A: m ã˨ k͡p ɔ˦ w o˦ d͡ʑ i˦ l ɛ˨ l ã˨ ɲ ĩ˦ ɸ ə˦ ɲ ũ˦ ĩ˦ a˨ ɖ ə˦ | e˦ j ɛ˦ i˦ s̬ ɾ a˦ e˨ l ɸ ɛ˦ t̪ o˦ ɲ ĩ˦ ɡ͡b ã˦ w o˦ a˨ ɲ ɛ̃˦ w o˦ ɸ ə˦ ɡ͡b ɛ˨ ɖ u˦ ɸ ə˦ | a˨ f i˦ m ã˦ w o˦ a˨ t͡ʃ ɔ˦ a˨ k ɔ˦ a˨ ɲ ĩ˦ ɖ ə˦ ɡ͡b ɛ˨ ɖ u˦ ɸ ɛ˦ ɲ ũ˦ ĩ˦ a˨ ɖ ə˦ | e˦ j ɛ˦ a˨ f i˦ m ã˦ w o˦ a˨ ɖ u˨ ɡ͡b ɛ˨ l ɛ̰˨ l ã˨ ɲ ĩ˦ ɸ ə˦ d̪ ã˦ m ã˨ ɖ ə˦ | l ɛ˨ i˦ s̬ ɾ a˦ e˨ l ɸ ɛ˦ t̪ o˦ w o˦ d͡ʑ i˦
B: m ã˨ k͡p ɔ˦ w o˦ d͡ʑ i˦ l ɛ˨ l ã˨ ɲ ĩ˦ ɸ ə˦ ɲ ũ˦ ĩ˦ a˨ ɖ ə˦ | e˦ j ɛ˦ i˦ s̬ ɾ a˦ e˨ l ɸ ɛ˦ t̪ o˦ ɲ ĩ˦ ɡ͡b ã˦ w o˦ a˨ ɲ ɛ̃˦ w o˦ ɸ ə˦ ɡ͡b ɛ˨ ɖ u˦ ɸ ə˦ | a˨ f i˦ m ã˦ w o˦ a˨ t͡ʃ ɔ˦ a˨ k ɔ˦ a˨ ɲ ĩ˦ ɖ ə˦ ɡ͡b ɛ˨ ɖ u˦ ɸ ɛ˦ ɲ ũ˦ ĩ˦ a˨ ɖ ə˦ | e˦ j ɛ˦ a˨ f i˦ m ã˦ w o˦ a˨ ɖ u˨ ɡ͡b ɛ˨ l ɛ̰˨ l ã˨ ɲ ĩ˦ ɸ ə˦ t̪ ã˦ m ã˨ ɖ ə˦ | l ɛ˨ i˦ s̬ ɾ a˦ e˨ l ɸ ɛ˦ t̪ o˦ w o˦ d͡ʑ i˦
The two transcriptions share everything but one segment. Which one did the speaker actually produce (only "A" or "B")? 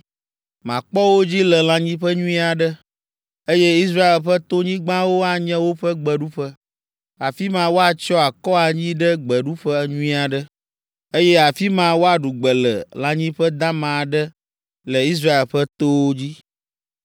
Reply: A